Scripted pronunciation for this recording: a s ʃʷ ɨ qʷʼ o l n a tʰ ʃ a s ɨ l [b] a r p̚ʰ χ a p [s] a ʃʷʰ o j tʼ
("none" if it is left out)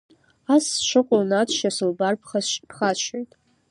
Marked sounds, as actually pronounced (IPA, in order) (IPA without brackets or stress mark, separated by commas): b, χ